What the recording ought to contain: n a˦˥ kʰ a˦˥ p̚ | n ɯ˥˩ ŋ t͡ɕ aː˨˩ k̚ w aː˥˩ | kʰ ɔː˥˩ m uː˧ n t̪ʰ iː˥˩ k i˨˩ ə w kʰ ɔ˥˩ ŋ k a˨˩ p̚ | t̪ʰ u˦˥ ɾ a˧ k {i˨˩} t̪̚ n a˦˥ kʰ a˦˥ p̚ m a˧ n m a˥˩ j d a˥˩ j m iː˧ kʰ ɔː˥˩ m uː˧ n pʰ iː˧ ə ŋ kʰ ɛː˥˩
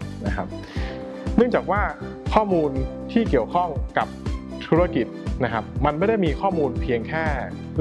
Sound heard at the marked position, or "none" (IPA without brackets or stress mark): i˨˩